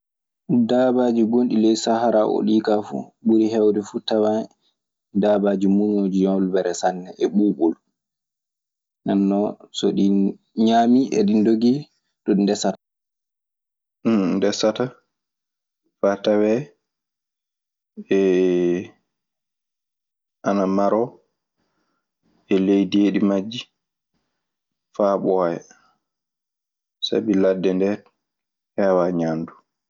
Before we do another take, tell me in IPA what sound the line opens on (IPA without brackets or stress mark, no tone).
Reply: d